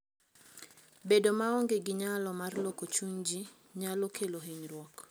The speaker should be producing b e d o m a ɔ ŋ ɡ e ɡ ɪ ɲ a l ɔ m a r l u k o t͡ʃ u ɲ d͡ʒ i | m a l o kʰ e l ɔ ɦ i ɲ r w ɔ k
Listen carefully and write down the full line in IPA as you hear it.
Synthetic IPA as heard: b e d o m a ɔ ŋ ɡ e ɡ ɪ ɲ a l ɔ m a r l o k o t͡ʃ u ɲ d͡ʒ i | ɲ a l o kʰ e l o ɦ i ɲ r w ɔ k